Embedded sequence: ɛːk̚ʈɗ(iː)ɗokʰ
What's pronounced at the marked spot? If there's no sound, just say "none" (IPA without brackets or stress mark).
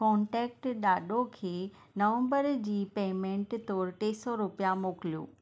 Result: aː